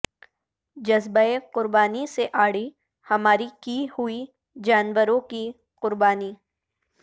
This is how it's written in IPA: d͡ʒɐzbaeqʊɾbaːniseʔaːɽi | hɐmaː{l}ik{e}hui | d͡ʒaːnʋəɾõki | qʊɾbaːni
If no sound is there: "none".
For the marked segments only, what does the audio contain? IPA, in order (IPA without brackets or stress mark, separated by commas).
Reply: ɾ, i